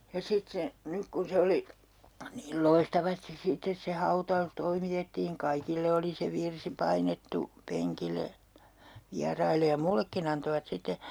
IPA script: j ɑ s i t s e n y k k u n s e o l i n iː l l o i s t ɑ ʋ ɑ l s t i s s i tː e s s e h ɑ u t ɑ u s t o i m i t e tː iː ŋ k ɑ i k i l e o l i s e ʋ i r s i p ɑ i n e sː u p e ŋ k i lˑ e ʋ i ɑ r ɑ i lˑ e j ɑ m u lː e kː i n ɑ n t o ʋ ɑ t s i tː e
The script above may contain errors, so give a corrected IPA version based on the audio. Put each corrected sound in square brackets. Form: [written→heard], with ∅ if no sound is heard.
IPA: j ɑ s i t s e n y k k u n s e o l i n iː l l o i s t ɑ ʋ ɑ [l→∅] s t i s s i tː e s s e h ɑ u t ɑ u s t o i m i t e tː iː ŋ k ɑ i k i [l→lː] e o l i s e ʋ i r s i p ɑ i n e [sː→tː] u p e ŋ k i lˑ e ʋ i ɑ r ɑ i lˑ e j ɑ m u lː e kː i n ɑ n t o ʋ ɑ t s i tː e